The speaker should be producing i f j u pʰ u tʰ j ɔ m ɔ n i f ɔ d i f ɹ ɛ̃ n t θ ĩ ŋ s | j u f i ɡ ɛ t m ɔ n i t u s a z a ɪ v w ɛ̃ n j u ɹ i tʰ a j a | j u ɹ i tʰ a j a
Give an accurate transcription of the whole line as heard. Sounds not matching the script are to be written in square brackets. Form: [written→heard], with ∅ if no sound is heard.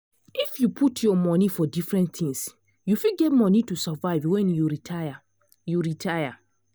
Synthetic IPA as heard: i f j u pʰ u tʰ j ɔ m ɔ n i f ɔ d i f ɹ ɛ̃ n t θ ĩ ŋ s | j u f i ɡ ɛ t m ɔ n i t u s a [z→v] a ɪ v w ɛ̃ n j u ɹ i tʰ a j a | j u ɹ i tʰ a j a